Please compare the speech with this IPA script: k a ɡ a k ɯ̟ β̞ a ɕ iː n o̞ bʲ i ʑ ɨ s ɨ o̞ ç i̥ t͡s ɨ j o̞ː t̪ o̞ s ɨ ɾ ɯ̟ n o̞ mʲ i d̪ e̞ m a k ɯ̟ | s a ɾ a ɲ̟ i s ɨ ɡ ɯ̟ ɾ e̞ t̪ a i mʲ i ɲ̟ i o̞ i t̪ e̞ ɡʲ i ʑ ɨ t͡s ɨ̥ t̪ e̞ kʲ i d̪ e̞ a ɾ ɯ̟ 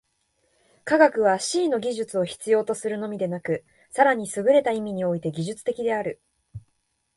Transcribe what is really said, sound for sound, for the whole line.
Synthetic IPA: k a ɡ a k ɯ̟ β̞ a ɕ iː n o̞ ɡʲ i ʑ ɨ t͡s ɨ o̞ ç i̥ t͡s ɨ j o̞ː t̪ o̞ s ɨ ɾ ɯ̟ n o̞ mʲ i d̪ e̞ n a k ɯ̟ | s a ɾ a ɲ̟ i s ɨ ɡ ɯ̟ ɾ e̞ t̪ a i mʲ i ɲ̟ i o̞ i t̪ e̞ ɡʲ i ʑ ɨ t͡s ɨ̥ t̪ e̞ kʲ i d̪ e̞ a ɾ ɯ̟